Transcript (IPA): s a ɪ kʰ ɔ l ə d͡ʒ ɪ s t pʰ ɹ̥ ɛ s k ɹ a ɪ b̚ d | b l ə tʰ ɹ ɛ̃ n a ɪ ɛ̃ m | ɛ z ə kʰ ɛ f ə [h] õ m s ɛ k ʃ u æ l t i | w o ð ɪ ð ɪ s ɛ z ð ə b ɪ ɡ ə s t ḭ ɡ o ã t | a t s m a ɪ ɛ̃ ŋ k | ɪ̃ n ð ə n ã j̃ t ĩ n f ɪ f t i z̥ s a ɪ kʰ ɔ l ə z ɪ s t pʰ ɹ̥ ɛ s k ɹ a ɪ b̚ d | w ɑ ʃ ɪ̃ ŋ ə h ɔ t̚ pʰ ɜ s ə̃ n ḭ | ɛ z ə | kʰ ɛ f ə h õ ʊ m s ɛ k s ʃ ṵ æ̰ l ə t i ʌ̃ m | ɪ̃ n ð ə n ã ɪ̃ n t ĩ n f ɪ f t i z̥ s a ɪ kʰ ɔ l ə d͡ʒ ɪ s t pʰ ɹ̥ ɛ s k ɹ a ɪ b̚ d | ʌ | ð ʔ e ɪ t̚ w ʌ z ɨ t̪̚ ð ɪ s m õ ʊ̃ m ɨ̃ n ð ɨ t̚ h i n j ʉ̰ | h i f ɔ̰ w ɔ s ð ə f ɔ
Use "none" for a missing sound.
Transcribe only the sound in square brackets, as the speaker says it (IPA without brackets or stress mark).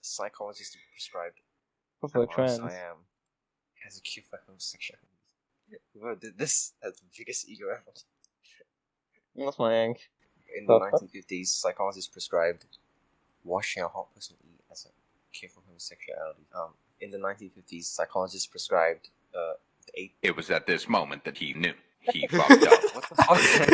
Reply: h